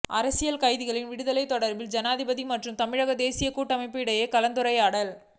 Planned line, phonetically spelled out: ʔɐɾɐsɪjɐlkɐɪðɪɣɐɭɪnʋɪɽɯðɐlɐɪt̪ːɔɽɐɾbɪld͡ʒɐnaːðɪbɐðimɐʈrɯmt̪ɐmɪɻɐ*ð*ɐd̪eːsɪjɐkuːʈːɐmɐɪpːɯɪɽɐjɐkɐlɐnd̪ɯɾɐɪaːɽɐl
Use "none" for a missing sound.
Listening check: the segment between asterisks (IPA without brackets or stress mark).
ɣ